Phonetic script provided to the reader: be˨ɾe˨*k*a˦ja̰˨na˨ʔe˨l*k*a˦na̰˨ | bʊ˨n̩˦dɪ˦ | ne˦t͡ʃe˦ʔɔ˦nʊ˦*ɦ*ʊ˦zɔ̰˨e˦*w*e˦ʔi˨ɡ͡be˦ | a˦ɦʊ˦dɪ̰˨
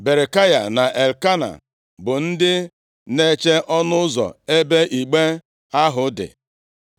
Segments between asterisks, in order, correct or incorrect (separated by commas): correct, correct, incorrect, incorrect